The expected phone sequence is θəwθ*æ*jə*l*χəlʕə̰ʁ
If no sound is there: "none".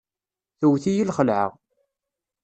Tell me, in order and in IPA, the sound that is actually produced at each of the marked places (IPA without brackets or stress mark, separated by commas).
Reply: i, l